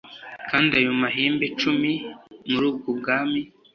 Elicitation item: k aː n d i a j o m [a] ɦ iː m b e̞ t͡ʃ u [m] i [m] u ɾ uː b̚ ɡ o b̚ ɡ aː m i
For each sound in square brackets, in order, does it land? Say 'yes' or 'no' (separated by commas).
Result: yes, yes, yes